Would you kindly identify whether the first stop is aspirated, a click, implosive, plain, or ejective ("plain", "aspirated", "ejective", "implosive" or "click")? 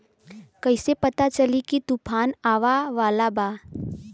plain